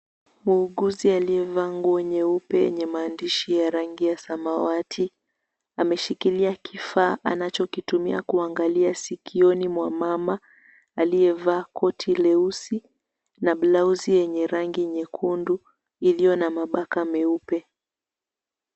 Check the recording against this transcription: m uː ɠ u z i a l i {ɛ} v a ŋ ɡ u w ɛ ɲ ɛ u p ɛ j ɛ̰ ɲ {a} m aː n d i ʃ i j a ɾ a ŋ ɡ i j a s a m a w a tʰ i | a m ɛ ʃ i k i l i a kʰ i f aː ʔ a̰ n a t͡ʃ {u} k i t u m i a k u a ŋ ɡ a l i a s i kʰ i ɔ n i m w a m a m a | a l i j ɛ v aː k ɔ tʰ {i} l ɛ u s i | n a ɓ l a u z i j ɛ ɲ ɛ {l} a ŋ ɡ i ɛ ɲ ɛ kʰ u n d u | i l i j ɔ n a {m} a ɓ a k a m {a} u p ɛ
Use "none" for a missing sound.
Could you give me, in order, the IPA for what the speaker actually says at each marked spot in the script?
ɛ, ɛ, ɔ, i, ɾ, m, ɛ

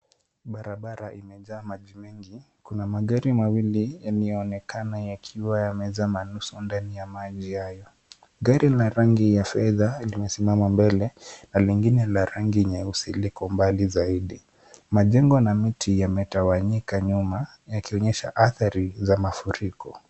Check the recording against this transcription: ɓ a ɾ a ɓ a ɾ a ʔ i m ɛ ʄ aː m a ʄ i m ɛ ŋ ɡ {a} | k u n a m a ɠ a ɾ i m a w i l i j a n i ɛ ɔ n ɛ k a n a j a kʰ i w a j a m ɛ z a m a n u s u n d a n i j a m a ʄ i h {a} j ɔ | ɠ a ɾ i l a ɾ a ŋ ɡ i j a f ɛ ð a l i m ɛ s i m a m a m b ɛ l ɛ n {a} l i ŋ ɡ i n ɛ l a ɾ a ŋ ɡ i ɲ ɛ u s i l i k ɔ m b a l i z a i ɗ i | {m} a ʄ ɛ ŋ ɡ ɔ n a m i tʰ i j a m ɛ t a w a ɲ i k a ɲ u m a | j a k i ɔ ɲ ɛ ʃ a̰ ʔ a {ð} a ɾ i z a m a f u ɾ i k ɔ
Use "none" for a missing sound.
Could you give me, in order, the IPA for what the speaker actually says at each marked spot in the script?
i, a, a, m, θ

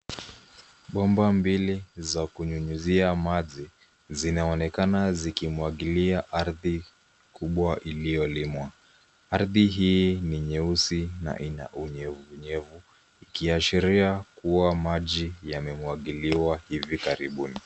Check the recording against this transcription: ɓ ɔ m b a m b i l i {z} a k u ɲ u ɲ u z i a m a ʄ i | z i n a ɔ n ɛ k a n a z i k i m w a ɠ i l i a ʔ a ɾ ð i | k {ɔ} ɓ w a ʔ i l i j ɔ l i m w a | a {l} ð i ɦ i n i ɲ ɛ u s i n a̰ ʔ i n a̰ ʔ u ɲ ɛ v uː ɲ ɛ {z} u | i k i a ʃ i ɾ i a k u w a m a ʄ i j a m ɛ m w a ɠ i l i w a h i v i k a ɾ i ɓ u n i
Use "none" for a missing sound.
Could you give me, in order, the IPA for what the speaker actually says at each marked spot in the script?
z, u, ɾ, v

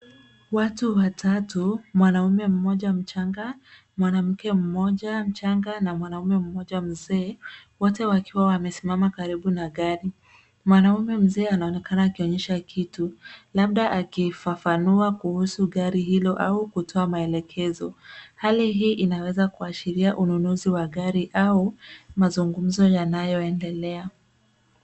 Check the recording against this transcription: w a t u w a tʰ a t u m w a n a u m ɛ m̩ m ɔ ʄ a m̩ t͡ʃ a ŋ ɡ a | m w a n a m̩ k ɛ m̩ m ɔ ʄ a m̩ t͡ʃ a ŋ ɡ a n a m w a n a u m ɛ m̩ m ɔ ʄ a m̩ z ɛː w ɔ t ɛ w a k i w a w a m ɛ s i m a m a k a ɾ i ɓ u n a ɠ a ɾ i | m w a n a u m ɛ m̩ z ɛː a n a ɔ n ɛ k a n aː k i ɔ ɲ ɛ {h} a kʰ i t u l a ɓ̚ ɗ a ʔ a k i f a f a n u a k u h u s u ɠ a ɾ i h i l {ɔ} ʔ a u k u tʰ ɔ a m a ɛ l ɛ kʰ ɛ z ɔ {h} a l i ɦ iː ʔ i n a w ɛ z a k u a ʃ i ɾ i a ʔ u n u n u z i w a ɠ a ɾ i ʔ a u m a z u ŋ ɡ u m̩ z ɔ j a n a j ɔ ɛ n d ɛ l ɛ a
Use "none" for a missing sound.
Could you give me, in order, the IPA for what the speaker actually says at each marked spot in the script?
ʃ, ɔ, h

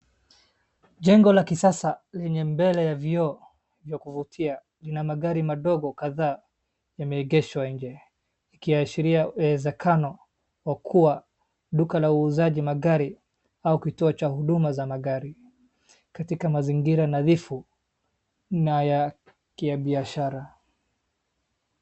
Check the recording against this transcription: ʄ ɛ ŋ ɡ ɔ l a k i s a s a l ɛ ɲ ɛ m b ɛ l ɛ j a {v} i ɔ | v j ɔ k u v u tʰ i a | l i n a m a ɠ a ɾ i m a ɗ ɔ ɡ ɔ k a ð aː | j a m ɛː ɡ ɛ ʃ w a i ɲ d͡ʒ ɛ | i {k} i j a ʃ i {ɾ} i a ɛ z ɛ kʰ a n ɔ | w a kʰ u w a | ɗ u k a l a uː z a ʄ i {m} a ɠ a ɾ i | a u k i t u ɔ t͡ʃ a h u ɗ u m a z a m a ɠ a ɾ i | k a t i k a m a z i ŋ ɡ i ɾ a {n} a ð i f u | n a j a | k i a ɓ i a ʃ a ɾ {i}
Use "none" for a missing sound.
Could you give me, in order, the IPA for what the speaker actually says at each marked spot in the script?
v, k, ɾ, m, n, a

